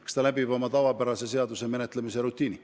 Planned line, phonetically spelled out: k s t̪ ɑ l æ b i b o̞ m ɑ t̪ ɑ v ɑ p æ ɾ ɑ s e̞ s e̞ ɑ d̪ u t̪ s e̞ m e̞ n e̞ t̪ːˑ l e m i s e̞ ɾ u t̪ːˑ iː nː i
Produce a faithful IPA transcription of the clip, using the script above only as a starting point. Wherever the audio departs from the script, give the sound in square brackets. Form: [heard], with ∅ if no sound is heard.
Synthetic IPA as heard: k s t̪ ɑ l æ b i b o̞ m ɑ t̪ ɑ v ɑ p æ ɾ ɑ s e̞ s e̞ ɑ d̪ u [∅] s e̞ m e̞ n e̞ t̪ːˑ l e m i s e̞ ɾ u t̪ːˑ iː [n] i